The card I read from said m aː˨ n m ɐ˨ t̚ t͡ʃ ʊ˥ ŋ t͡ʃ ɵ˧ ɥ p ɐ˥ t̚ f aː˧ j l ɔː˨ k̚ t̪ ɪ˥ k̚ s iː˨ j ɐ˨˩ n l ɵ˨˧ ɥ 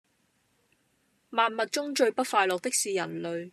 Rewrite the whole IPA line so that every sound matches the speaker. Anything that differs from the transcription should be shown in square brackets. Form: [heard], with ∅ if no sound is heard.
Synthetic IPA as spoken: m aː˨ n m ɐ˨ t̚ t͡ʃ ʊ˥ ŋ t͡ʃ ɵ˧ ɥ p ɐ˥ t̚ f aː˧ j l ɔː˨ k̚ t̪ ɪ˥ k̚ s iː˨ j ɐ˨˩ n l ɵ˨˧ ɥ